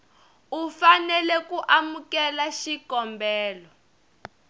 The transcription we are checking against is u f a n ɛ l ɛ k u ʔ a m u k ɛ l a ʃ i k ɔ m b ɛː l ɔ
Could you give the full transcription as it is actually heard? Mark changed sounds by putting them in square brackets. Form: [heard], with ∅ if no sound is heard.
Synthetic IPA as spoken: u f a n ɛ l ɛ k u ʔ a m u k ɛ l a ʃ i k ɔ m b ɛː l ɔ